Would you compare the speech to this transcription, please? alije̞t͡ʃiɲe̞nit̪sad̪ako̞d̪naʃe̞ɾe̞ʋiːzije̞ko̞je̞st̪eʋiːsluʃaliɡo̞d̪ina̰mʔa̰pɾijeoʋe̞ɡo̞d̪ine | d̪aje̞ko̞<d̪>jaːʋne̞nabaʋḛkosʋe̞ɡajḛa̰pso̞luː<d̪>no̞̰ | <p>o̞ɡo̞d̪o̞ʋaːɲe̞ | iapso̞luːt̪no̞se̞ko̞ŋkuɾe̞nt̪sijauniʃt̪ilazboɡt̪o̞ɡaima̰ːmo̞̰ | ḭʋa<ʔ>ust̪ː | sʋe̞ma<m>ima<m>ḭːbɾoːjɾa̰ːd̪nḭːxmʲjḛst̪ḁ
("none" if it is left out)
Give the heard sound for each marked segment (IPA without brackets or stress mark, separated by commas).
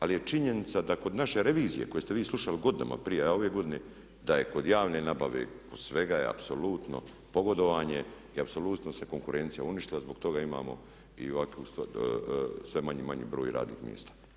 d̪, t̪, p, k, ɲ, ɲ